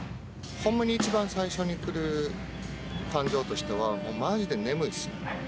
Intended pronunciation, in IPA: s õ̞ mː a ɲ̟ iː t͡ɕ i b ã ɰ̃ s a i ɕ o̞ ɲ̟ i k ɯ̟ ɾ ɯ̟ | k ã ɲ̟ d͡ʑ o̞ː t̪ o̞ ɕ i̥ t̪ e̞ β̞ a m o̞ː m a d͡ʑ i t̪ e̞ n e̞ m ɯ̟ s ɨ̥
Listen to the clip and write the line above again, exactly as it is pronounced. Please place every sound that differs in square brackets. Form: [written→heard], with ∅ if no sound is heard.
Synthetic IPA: [s→h] õ̞ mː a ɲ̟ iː t͡ɕ i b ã ɰ̃ s a i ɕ o̞ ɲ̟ i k ɯ̟ ɾ ɯ̟ | k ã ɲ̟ d͡ʑ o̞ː t̪ o̞ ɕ i̥ t̪ e̞ β̞ a m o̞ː m a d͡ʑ i [t̪→d̪] e̞ n e̞ m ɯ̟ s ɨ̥